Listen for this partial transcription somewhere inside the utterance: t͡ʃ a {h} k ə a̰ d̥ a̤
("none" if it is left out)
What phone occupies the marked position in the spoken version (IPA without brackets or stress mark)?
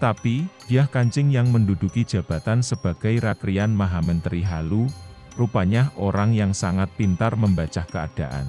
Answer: h